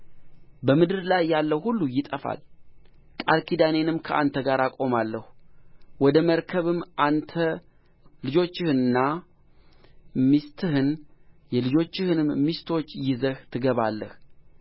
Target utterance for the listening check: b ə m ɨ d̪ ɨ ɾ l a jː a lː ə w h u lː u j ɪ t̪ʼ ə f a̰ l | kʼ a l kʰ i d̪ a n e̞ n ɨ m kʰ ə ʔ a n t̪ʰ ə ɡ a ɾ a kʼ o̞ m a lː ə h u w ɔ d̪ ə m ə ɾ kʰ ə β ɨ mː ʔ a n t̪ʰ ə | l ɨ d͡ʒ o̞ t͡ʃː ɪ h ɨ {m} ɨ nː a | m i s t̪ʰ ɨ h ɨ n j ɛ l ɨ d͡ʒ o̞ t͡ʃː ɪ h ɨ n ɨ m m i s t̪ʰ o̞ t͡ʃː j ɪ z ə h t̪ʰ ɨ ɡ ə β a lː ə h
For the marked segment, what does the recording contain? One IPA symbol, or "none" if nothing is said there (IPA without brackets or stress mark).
n